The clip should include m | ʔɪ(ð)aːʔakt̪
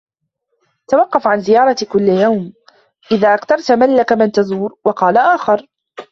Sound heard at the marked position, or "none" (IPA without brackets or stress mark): ð